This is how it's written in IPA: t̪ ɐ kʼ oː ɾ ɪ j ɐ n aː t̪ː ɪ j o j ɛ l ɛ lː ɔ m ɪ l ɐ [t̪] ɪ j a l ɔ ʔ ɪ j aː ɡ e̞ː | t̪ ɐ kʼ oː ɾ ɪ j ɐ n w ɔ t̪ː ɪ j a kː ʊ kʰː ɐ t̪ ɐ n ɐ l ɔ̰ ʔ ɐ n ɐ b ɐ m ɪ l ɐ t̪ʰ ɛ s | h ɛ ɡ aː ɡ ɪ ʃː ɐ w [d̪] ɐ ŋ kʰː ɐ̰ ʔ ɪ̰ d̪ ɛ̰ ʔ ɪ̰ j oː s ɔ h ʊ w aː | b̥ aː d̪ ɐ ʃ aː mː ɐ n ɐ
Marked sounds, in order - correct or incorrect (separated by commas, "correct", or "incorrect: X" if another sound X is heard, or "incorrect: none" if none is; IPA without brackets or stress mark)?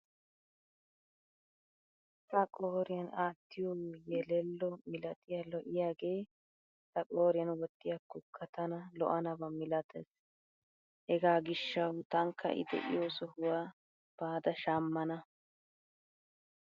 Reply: incorrect: t̪ʼ, incorrect: t̪